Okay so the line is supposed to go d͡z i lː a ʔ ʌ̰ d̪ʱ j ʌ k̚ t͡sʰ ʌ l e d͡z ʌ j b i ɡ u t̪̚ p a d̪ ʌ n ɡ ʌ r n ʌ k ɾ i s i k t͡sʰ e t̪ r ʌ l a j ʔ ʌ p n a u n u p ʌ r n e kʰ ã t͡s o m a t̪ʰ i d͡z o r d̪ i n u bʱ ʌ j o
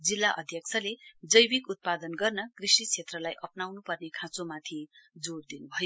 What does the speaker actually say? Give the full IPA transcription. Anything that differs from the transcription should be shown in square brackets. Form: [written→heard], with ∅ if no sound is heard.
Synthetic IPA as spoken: d͡z i lː a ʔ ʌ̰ d̪ʱ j ʌ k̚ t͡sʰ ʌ l e d͡z ʌ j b i [ɡ→k] u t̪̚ p a d̪ ʌ n ɡ ʌ r n ʌ k [ɾ→r] i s i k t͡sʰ e t̪ r ʌ l a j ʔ ʌ p n a [u→w] n u p ʌ r n e kʰ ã t͡s o m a t̪ʰ i d͡z o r d̪ i n u bʱ ʌ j o